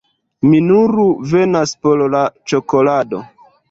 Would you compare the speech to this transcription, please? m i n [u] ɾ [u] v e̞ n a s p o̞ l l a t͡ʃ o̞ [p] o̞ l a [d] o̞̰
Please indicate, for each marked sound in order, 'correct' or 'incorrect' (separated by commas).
correct, correct, incorrect, correct